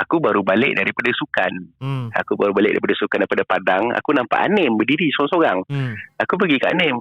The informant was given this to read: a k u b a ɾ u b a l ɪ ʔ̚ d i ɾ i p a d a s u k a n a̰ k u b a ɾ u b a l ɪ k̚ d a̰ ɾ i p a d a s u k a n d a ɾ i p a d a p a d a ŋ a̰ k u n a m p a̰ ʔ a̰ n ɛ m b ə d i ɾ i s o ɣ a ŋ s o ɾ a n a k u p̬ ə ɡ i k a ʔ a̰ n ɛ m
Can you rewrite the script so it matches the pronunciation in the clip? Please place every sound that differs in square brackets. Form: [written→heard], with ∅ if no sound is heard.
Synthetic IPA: a k u b a ɾ u b a l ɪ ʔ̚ d [i→a] ɾ i p a d a s u k a n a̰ k u b a ɾ u b a l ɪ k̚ d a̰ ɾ i p a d a s u k a n d a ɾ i p a d a p a d a ŋ a̰ k u n a m p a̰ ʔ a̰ n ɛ m b ə d i ɾ i s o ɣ a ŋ s o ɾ a [n→ŋ] a k u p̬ ə ɡ i k a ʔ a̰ n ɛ m